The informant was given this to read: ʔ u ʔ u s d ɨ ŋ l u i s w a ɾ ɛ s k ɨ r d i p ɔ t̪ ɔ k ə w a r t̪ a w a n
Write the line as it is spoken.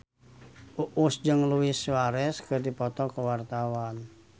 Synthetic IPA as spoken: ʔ u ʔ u s d͡ʒ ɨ ŋ l u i s w a ɾ ɛ s k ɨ r d i p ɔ t̪ ɔ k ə w a r t̪ a w a n